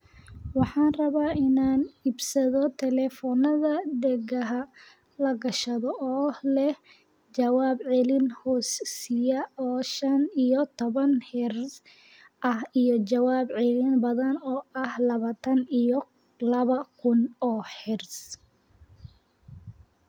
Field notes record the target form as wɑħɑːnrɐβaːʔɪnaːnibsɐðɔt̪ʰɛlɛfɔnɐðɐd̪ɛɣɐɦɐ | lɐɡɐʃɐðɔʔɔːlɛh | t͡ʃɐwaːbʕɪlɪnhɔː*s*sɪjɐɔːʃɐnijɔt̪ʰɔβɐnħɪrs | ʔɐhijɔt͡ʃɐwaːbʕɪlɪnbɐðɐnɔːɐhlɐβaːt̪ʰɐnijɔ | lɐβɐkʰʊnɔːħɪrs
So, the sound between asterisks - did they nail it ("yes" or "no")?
yes